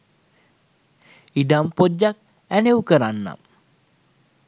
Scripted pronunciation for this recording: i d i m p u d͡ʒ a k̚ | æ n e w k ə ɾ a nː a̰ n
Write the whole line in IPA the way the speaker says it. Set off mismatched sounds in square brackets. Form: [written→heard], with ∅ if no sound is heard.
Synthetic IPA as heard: i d [i→a] m p [u→o] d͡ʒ a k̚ | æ n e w k ə ɾ a nː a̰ [n→m]